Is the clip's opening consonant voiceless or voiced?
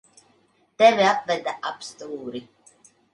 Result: voiceless